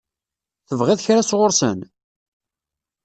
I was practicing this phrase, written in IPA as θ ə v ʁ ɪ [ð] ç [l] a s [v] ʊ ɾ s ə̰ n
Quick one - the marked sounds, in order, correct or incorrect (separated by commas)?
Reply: correct, incorrect, incorrect